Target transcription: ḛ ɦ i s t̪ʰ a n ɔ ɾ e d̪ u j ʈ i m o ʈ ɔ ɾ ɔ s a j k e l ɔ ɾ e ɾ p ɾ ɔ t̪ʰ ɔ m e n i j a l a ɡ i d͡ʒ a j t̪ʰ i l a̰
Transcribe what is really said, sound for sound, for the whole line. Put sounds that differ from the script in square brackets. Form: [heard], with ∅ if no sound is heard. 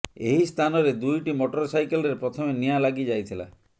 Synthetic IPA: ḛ ɦ i s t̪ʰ a n ɔ ɾ e d̪ u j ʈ i m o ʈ ɔ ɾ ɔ s a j k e l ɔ ɾ e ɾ p ɾ ɔ t̪ʰ ɔ m e n i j a l a ɡ i d͡ʒ a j t̪ʰ i l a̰